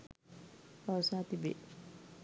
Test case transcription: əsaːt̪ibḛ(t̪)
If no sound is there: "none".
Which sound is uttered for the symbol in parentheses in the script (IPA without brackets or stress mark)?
none